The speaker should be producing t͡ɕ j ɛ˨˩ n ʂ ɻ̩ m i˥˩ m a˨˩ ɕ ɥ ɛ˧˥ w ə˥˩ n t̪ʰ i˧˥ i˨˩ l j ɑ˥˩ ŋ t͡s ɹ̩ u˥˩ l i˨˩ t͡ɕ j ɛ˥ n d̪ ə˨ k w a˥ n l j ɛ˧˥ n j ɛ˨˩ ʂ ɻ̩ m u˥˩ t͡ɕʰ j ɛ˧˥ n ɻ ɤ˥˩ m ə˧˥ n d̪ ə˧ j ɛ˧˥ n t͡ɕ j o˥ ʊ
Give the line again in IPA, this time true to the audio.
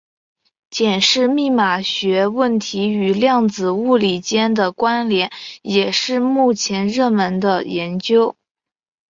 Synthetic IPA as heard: t͡ɕ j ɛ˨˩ n ʂ ɻ̩ m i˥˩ m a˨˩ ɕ ɥ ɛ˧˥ w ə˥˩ n t̪ʰ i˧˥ y˨˩ l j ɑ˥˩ ŋ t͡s ɹ̩ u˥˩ l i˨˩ t͡ɕ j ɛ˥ n d̪ ə˨ k w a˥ n l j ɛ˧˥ n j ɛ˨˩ ʂ ɻ̩ m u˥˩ t͡ɕʰ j ɛ˧˥ n ɻ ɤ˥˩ m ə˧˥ n d̪ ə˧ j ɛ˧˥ n t͡ɕ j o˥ ʊ